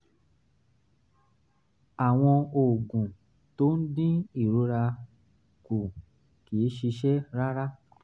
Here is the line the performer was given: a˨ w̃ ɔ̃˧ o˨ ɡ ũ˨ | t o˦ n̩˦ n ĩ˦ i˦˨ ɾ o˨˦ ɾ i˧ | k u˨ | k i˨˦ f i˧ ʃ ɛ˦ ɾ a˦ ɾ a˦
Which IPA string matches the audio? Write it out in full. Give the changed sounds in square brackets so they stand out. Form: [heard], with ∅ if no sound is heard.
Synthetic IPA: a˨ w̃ ɔ̃˧ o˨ ɡ ũ˨ | t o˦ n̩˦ [d] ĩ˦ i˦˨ ɾ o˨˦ ɾ [a˧] | k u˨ | k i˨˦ [ʃ] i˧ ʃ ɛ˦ ɾ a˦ ɾ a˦